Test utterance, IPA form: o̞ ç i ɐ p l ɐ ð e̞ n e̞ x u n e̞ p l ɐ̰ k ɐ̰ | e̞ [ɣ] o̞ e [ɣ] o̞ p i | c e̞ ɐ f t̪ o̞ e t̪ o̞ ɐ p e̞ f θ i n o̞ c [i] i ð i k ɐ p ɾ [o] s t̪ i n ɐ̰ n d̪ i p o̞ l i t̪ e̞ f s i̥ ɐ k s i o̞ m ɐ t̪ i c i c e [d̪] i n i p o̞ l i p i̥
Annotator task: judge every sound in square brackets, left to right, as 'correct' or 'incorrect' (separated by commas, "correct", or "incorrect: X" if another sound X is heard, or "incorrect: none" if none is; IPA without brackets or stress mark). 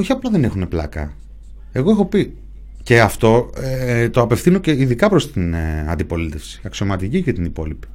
correct, incorrect: x, incorrect: e, correct, incorrect: t̪